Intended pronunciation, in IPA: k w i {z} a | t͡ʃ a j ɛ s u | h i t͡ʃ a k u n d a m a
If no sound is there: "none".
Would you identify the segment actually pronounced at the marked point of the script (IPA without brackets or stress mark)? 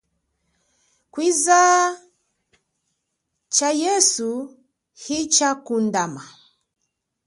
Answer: z